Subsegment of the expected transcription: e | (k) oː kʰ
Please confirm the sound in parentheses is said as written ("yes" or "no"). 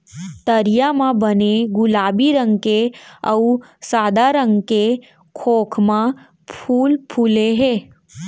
no